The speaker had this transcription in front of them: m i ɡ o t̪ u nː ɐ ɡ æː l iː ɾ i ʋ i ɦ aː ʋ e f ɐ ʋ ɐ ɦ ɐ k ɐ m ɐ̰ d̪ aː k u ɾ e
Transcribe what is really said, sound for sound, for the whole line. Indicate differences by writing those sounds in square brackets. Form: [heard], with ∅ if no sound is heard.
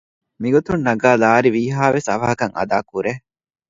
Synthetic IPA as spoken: m i ɡ o t̪ u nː ɐ ɡ [aː] l [aː] ɾ i ʋ [iː] ɦ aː ʋ e [s] ɐ ʋ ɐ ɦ ɐ k ɐ [ŋ] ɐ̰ d̪ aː k u ɾ e

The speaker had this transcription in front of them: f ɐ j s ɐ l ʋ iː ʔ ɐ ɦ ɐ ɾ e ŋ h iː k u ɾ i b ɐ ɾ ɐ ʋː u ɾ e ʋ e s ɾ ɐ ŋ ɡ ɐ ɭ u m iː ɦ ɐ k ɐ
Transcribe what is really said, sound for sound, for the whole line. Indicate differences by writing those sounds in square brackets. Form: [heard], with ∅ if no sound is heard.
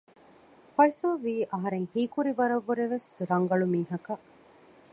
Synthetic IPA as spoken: f ɐ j s ɐ l ʋ iː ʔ ɐ ɦ ɐ ɾ e ŋ h iː k u ɾ i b ɐ ɾ ɐ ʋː u ɾ e ʋ e s ɾ ɐ ŋ ɡ ɐ ɭ u m iː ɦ ɐ k ɐ

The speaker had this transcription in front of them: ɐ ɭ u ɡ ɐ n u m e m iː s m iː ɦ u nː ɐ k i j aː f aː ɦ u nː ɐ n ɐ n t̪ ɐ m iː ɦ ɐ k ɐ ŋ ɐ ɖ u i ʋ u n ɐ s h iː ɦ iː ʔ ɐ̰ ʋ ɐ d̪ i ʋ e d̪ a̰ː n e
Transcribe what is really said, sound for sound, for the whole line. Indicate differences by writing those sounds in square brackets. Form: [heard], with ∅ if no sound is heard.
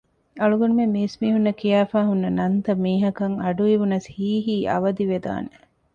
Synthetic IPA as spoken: ɐ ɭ u ɡ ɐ n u m e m iː s m iː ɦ u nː ɐ k i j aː f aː ɦ u nː ɐ n ɐ n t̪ ɐ m iː ɦ ɐ k ɐ ŋ ɐ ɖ u i ʋ u n ɐ s h iː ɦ iː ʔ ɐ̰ ʋ ɐ d̪ i ʋ e d̪ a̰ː n e

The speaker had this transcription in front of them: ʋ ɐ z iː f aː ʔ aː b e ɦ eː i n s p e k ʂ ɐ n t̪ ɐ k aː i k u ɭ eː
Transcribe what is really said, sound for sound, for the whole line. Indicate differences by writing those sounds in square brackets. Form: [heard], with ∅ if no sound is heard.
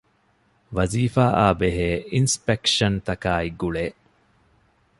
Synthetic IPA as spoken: ʋ ɐ z iː f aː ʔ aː b e ɦ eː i n s p e k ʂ ɐ n t̪ ɐ k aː i [ɡ] u ɭ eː

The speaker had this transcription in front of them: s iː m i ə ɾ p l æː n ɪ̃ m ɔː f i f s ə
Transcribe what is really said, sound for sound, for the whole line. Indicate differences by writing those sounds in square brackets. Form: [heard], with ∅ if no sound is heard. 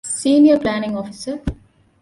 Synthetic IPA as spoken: s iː [n] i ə ɾ p l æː n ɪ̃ [ŋ] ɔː f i [∅] s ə

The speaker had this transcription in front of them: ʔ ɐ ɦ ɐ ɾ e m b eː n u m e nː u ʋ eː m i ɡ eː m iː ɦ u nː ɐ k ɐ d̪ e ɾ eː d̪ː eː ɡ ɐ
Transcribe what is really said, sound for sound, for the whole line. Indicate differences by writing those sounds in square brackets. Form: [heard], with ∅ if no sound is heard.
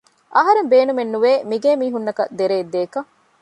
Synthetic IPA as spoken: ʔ ɐ ɦ ɐ ɾ e m b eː n u m e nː u ʋ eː m i ɡ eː m iː ɦ u nː ɐ k ɐ d̪ e ɾ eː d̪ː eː [k] ɐ

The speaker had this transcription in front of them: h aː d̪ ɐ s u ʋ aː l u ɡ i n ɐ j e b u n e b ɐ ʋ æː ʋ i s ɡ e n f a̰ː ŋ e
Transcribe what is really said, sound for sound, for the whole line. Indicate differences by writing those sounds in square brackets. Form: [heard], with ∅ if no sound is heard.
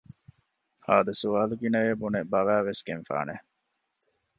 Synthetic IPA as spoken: h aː d̪ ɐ s u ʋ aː l u ɡ i n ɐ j e b u n e b ɐ ʋ æː ʋ [e] s ɡ e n f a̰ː [n] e

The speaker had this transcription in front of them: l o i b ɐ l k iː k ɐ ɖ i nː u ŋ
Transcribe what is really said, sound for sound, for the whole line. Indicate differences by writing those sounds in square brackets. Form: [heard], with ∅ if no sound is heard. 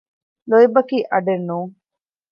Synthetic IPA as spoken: l o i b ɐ [∅] k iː [ʔ] ɐ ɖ [e] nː [uː] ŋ

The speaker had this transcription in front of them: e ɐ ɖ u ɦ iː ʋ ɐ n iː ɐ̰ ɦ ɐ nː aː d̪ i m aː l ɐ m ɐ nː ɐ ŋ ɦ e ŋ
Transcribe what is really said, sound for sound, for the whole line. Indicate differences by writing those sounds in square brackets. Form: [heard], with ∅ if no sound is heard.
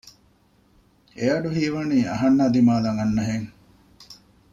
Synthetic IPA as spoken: e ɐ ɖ u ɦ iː ʋ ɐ n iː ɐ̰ ɦ ɐ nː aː d̪ i m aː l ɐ [ŋ] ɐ nː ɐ [∅] ɦ e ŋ

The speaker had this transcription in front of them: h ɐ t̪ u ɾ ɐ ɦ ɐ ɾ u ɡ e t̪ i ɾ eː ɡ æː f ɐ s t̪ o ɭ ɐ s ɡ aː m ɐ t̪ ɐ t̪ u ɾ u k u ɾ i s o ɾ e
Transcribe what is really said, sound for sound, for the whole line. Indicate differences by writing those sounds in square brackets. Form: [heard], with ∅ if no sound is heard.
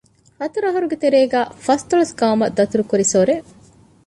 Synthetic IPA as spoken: h ɐ t̪ u ɾ ɐ ɦ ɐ ɾ u ɡ e t̪ [e] ɾ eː ɡ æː f ɐ s t̪ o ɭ ɐ s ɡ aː m ɐ [d̪] ɐ t̪ u ɾ u k u ɾ i s o ɾ e

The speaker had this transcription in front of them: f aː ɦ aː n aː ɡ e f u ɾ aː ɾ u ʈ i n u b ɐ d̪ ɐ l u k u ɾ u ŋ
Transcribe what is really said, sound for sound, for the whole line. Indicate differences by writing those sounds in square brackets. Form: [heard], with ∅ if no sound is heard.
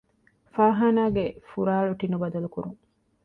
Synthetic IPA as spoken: f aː ɦ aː n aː ɡ e f u ɾ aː [ɭ] u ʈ i n u b ɐ d̪ ɐ l u k u ɾ u ŋ

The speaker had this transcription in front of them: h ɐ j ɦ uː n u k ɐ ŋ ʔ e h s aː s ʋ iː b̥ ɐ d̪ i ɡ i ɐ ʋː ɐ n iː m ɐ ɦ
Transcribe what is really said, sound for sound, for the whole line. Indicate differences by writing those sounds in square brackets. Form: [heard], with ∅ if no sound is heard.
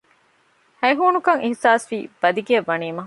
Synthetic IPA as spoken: h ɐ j ɦ uː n u k ɐ ŋ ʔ [i] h s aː s ʋ iː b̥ ɐ d̪ i ɡ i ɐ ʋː ɐ n iː m ɐ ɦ

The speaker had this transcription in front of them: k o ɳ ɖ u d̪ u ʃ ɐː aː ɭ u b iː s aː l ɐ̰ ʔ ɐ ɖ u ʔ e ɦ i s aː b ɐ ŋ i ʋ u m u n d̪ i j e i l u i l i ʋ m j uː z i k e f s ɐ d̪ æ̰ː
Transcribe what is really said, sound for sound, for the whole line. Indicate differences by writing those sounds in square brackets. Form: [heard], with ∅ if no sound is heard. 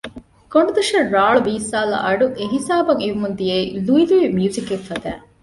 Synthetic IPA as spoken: k o ɳ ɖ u d̪ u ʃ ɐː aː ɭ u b iː s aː l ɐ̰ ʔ ɐ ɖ u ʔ e ɦ i s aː b ɐ ŋ i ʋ u m u n d̪ i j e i l u i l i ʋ m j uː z i k e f [f] ɐ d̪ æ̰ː

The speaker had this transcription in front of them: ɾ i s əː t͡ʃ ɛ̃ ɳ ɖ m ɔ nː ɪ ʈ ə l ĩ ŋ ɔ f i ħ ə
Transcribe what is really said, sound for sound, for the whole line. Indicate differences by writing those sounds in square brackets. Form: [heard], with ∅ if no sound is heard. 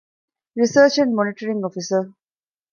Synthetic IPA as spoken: ɾ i s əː t͡ʃ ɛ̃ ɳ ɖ m ɔ [n] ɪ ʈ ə [ɾ] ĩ ŋ ɔ f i [s] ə

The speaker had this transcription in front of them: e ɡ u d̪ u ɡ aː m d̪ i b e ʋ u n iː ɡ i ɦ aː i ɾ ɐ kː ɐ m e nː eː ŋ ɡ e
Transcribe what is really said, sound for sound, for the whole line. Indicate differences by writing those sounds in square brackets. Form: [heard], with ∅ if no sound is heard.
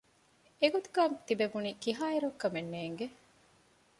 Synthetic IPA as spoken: e ɡ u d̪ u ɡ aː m [t̪] i b e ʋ u n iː [k] i ɦ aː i ɾ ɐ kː ɐ m e nː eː ŋ ɡ e

